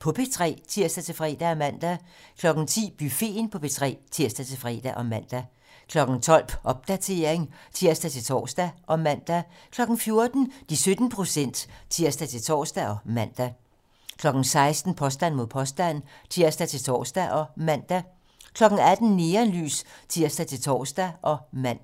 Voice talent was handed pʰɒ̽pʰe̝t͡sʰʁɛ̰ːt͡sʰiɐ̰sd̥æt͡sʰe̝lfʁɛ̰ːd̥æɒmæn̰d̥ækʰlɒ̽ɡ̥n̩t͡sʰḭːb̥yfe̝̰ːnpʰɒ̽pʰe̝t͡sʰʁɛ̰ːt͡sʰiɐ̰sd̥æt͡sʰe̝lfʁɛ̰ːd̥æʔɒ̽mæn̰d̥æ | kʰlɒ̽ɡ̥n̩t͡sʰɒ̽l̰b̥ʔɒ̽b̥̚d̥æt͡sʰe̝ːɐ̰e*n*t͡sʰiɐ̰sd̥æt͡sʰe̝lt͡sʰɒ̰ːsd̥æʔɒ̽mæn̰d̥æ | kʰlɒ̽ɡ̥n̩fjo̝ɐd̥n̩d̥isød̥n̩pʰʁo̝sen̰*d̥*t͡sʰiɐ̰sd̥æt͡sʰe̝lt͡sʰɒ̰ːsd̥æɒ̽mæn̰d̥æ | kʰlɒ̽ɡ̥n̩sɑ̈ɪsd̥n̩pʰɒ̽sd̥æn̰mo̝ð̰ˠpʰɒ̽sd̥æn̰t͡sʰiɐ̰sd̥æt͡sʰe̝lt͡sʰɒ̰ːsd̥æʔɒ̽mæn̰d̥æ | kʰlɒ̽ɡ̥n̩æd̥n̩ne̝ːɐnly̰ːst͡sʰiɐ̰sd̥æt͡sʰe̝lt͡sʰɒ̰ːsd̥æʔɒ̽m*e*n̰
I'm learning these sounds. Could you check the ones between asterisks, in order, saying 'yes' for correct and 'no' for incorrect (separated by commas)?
no, yes, no